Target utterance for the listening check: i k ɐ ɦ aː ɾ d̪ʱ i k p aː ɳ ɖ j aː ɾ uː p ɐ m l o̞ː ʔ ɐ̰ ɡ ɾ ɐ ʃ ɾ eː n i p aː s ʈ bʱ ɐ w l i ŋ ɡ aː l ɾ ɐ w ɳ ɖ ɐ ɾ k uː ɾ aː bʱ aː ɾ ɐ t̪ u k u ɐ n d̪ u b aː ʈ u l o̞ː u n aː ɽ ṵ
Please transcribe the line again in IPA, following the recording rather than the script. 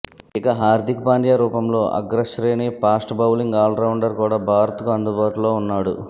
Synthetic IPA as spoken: i k ɐ ɦ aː ɾ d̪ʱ i k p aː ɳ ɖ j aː ɾ uː p ɐ m l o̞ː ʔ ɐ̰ ɡ ɾ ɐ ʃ ɾ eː n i p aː s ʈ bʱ ɐ w l i ŋ ɡ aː l ɾ ɐ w ɳ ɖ ɐ ɾ k uː ɽ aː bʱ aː ɾ ɐ t̪ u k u ɐ n d̪ u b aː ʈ u l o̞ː u nː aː ɽ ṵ